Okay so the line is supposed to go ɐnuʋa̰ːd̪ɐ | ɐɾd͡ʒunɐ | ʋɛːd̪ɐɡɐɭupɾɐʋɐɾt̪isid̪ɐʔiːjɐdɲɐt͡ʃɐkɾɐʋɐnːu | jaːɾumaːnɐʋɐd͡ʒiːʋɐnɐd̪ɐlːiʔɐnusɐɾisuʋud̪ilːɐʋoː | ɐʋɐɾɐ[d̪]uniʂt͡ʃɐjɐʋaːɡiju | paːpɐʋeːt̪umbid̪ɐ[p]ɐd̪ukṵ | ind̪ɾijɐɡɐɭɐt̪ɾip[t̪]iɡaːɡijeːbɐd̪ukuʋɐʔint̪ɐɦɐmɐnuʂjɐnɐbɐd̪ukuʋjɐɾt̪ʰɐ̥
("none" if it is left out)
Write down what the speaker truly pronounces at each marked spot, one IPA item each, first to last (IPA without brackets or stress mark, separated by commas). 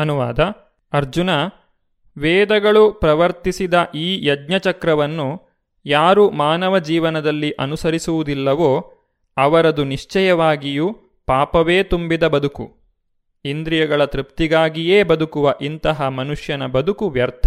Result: d̪, b, t̪